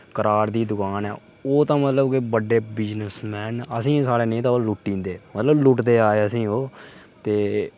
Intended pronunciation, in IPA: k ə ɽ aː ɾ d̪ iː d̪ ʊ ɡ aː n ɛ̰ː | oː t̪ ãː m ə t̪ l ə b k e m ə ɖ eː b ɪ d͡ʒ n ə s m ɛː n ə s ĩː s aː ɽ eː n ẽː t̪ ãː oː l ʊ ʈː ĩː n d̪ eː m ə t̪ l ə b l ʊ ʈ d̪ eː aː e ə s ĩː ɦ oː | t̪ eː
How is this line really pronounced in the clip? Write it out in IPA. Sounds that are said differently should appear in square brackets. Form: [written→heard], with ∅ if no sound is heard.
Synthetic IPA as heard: k ə [ɽ→ɾ] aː ɾ d̪ iː d̪ ʊ [ɡ→k] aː n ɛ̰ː | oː t̪ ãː m ə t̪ l ə b k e [m→b] ə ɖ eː b ɪ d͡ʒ n ə s m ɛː n ə s ĩː s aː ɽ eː n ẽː t̪ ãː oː l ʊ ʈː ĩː n d̪ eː m ə t̪ l ə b l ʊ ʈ d̪ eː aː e ə s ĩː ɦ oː | t̪ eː